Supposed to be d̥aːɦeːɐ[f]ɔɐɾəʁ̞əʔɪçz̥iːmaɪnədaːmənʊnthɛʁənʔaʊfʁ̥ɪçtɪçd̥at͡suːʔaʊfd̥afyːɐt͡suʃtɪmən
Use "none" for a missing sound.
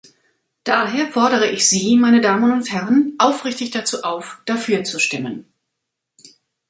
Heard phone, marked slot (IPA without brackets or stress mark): f